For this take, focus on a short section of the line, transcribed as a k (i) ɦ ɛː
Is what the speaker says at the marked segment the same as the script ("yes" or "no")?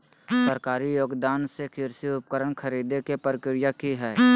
yes